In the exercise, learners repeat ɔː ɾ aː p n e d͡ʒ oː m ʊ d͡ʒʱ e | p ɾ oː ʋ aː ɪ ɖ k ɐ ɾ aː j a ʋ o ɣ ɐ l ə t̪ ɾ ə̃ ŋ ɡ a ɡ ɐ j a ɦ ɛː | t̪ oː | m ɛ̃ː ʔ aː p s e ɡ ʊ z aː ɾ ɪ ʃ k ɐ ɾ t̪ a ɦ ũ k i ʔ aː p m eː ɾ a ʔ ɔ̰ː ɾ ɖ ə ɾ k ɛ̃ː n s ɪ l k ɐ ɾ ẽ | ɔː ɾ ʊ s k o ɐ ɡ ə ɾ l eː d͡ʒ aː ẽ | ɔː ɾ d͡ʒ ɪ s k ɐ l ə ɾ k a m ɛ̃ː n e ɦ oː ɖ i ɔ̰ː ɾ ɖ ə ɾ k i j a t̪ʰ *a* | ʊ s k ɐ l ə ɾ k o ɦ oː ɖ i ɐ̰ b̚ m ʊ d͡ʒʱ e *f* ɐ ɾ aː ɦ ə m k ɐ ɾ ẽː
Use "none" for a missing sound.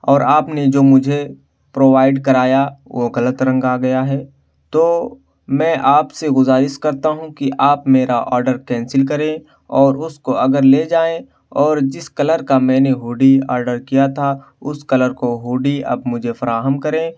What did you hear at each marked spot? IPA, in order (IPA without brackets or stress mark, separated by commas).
a, f